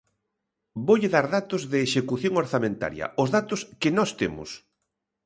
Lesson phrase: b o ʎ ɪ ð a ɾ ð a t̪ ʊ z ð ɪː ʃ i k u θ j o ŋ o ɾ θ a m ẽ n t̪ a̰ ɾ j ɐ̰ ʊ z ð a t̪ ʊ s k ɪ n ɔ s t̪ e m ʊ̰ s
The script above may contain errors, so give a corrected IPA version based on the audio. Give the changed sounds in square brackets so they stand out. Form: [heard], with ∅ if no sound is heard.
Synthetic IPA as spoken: b o ʎ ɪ ð a ɾ ð a t̪ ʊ z ð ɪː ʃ [e] k u θ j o ŋ o ɾ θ a m ẽ n t̪ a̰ ɾ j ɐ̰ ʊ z ð a t̪ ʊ s k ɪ n ɔ s t̪ e m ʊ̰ s